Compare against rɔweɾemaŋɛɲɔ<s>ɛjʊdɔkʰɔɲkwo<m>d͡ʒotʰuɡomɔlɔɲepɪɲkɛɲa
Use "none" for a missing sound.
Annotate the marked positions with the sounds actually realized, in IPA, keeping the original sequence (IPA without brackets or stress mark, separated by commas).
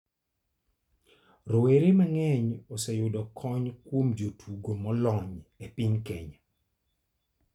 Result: s, m